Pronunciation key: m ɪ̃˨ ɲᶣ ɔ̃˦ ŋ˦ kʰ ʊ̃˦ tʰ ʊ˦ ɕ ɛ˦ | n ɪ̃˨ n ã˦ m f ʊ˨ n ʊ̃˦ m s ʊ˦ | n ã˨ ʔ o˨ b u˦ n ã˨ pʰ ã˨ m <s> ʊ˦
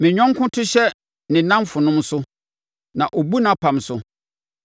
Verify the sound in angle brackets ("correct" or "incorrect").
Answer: correct